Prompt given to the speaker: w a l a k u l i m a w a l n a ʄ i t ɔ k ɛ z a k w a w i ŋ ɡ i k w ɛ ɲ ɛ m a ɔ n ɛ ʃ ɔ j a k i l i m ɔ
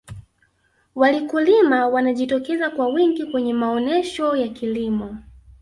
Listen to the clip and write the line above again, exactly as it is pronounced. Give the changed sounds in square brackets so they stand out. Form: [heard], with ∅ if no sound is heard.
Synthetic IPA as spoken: w a l [i] k u l i m a w a [∅] n a ʄ i t ɔ k ɛ z a k w a w i ŋ ɡ i k w ɛ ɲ ɛ m a ɔ n ɛ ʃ ɔ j a k i l i m ɔ

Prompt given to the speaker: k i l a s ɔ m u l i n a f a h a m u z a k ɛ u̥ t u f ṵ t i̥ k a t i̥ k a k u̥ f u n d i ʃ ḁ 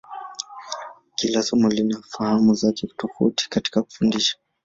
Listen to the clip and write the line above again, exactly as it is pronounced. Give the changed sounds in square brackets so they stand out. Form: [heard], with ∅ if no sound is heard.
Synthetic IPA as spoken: k i l a s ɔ m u l i n a f a h a m u z a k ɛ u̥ t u f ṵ t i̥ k a t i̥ k a k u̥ f u n d i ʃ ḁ

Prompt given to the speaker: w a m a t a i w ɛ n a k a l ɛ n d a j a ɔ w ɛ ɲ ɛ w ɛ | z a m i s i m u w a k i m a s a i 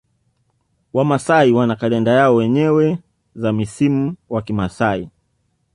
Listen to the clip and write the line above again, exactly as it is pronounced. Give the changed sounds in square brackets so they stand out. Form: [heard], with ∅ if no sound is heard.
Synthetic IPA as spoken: w a m a [s] a i w [a] n a k a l ɛ n d a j a ɔ w ɛ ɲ ɛ w ɛ | z a m i s i m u w a k i m a s a i

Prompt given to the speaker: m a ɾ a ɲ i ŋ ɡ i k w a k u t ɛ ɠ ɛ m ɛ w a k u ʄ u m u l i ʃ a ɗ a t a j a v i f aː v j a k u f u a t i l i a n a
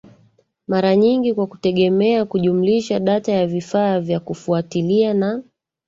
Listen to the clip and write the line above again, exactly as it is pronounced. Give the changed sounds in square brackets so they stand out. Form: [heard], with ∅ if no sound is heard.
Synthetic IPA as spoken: m a ɾ a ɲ i ŋ ɡ i k w a k u t ɛ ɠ ɛ m ɛ [∅] a k u ʄ u m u l i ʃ a ɗ a t a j a v i f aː v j a k u f u a t i l i a n a

